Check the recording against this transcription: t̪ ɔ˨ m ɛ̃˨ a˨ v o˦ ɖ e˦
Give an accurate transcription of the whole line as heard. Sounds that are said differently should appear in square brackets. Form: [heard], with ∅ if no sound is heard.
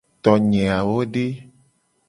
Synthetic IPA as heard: t̪ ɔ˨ [ɲ] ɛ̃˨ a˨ [w] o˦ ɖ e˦